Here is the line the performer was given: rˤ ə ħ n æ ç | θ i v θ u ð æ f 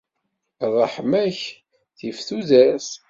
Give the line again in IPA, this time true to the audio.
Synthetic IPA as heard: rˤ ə ħ m æ ç | θ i f θ u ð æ s